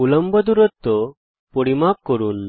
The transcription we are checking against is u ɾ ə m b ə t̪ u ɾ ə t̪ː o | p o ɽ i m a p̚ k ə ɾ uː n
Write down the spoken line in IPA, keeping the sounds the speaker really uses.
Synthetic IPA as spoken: u l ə m b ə d̪ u ɾ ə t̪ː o | p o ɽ i m a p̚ k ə ɾ uː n